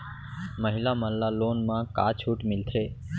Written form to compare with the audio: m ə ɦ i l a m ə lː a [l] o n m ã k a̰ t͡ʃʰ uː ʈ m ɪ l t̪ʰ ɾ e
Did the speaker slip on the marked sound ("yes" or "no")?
no